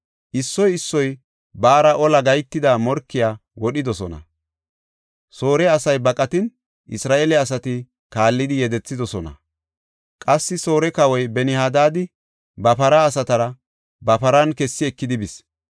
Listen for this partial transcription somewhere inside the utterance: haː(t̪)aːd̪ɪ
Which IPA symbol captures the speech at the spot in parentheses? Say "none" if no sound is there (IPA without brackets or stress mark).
d̪